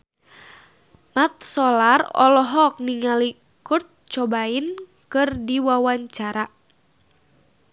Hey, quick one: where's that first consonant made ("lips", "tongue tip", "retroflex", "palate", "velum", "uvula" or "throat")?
lips